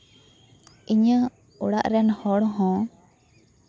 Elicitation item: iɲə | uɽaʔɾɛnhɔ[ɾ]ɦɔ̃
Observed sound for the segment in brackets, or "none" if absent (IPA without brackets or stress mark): ɽ